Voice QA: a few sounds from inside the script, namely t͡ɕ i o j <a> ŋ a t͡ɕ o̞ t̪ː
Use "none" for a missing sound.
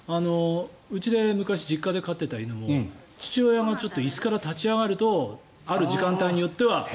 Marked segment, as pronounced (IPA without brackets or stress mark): a